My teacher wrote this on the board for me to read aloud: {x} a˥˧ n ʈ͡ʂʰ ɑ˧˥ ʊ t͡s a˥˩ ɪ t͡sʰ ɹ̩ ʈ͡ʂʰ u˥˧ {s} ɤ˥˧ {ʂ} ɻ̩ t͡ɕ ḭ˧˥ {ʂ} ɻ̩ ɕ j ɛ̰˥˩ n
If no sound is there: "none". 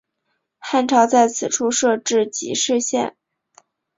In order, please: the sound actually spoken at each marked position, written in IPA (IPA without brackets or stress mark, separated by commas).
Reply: x, ʂ, ʈ͡ʂ, ʂ